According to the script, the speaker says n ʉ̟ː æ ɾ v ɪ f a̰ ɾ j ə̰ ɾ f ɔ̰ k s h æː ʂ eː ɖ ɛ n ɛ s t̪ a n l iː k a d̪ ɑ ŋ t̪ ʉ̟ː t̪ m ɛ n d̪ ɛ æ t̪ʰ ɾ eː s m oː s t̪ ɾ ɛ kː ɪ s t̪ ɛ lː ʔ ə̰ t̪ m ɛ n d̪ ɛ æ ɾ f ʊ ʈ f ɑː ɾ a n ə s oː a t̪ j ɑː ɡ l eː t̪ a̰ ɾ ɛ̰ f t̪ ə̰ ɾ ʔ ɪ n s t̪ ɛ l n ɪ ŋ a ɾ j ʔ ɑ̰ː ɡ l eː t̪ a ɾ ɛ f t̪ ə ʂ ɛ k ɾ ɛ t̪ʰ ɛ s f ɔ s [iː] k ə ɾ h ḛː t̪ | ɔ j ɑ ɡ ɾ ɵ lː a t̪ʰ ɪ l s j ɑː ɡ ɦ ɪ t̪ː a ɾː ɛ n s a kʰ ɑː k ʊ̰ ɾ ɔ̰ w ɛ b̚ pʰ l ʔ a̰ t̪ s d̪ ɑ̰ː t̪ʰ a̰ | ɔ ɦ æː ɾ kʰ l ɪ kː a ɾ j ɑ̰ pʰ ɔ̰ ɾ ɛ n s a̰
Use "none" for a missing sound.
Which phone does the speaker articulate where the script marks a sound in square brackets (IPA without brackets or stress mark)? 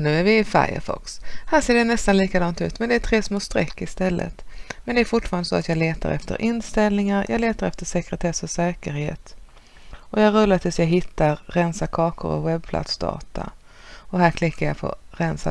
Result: ɛː